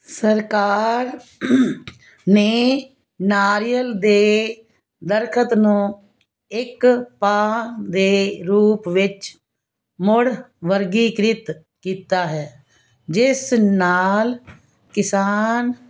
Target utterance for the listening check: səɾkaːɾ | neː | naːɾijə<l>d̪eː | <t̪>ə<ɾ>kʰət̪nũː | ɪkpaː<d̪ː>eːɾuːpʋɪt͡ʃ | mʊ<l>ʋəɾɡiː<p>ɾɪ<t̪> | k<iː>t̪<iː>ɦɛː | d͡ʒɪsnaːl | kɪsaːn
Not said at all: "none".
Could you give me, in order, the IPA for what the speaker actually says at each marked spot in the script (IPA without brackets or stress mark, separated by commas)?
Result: l, d̪, ɾ, d̪, ɽ, k, t̪, iː, aː